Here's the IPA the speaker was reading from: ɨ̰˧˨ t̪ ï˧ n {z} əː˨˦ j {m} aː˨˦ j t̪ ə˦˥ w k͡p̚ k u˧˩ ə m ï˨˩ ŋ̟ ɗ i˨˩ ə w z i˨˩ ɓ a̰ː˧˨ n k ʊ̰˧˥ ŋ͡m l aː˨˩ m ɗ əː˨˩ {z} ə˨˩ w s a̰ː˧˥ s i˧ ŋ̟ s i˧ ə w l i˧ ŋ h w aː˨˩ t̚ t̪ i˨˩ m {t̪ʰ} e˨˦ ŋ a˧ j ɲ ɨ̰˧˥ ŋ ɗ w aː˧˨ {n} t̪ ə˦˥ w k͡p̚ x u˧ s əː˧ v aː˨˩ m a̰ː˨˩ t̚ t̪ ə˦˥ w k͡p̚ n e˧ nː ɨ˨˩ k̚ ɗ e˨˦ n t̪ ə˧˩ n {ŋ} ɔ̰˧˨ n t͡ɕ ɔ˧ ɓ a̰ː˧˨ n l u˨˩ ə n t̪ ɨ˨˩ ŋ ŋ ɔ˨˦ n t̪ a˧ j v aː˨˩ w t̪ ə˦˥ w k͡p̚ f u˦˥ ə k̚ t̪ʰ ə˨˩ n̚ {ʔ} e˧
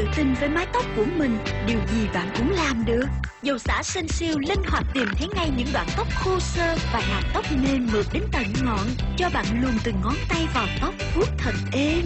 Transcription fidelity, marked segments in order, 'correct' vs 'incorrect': incorrect: v, correct, correct, correct, correct, correct, correct

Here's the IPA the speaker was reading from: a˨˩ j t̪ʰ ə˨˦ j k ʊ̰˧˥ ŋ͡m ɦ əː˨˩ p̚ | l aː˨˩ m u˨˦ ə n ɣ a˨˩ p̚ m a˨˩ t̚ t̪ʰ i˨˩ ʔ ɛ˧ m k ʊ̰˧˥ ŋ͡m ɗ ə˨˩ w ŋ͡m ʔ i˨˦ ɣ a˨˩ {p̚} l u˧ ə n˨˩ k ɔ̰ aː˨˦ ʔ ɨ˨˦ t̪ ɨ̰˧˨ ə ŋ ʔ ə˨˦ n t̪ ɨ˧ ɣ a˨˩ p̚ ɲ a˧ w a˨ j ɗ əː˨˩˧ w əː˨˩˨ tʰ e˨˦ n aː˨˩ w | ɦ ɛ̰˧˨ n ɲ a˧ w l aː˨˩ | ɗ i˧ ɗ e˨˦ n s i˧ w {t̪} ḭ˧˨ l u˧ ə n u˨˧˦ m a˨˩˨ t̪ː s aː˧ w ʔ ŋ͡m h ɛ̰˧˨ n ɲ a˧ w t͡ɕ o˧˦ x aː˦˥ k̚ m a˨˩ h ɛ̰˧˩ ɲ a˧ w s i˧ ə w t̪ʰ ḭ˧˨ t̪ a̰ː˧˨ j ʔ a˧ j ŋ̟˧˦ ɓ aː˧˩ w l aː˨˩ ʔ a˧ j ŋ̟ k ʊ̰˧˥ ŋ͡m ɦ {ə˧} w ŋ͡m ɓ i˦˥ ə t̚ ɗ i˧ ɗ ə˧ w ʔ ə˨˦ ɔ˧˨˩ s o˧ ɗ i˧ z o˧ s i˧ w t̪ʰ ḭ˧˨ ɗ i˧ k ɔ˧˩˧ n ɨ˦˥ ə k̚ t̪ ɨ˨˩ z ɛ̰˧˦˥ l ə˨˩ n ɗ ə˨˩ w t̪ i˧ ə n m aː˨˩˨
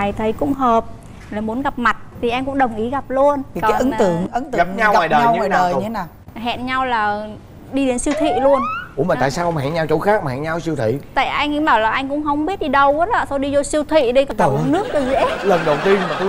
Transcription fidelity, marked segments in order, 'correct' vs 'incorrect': correct, incorrect: t̪ʰ, correct

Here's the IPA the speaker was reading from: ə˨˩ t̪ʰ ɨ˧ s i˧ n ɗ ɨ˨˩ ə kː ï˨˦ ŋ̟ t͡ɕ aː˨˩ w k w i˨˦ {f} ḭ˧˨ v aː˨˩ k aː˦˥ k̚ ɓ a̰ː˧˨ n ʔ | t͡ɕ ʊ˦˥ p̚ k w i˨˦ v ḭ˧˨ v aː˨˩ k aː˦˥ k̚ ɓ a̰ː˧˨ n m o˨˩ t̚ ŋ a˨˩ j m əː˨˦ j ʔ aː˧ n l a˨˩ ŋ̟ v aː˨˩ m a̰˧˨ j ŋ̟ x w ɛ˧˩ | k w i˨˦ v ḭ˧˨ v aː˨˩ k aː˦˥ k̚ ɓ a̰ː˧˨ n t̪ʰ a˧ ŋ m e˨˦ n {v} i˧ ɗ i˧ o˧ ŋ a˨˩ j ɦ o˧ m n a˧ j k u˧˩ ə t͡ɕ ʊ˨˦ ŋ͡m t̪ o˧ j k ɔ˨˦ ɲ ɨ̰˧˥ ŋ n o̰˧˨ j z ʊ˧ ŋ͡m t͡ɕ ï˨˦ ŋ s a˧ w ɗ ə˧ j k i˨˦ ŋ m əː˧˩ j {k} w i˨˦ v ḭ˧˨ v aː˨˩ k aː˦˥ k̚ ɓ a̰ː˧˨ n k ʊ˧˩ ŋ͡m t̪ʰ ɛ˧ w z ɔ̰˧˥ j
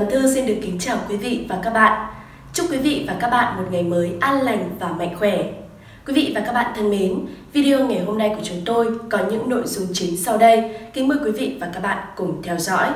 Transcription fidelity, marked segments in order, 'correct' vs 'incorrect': incorrect: v, correct, correct

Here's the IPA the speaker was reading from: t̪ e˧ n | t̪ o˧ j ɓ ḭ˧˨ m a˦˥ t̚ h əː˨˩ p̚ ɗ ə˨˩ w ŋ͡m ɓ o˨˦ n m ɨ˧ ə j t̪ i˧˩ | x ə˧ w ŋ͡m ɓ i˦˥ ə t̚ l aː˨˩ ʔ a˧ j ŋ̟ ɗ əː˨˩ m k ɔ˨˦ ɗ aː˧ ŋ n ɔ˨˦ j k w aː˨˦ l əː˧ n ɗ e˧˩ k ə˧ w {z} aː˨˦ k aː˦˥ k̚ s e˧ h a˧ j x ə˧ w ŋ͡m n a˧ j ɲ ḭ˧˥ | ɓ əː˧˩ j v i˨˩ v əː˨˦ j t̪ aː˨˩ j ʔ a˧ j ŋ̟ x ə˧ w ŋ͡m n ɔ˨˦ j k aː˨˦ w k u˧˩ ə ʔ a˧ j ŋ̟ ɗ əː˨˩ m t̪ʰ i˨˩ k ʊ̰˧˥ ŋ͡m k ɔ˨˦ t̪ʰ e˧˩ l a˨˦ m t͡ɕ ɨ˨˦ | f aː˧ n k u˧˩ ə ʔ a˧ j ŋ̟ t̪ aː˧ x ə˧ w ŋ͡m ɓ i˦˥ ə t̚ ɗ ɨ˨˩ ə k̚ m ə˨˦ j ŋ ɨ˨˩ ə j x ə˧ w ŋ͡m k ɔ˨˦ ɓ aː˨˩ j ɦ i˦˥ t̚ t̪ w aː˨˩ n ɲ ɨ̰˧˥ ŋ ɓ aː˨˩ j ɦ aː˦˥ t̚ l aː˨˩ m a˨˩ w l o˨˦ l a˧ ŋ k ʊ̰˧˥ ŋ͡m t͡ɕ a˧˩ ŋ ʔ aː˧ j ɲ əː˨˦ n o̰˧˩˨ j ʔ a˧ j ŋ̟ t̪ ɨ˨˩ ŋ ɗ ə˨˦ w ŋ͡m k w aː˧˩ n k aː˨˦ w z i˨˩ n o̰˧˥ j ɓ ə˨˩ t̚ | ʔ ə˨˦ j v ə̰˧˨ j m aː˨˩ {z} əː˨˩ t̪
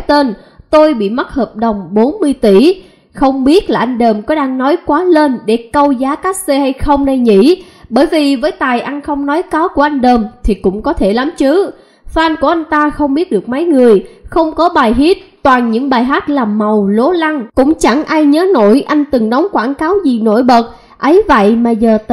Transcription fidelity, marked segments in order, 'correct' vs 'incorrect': correct, correct

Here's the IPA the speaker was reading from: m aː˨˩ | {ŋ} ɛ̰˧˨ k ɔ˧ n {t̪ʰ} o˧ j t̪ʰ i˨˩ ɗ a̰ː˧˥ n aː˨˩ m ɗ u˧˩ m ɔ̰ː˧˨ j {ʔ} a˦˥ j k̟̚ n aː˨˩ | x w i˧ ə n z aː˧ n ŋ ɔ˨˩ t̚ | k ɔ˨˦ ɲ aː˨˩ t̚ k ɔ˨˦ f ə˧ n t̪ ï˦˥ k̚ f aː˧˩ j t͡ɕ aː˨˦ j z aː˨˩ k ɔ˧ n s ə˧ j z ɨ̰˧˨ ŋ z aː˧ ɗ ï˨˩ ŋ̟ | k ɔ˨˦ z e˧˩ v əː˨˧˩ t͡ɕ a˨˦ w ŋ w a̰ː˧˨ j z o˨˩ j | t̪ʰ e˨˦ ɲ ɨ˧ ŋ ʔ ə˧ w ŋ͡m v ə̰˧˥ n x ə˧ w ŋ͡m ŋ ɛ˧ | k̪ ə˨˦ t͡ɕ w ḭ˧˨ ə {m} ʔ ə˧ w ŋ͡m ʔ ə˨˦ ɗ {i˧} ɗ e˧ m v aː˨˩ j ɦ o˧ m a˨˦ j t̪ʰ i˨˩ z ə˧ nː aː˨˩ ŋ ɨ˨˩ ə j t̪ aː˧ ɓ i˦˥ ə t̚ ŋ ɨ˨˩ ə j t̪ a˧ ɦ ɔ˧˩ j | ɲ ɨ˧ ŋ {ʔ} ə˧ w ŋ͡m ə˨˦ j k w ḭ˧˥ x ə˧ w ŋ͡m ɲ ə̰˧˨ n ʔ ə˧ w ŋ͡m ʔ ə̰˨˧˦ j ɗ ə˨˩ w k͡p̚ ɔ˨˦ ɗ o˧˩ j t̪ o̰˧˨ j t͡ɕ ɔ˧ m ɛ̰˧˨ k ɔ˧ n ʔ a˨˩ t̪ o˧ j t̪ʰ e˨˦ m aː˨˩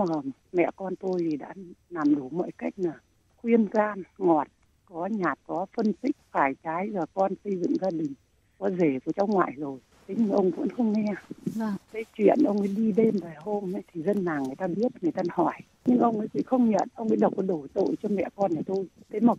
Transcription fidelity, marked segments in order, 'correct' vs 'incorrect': incorrect: m, incorrect: t̪, incorrect: k, incorrect: n, correct, correct

